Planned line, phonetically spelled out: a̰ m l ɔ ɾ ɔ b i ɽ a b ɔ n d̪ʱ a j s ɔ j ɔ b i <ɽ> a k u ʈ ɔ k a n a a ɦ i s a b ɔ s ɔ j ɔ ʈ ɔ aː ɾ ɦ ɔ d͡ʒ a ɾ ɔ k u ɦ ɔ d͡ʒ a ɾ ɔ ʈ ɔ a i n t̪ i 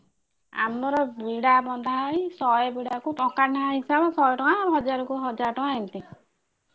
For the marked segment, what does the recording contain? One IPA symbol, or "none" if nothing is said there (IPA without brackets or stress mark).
ɽ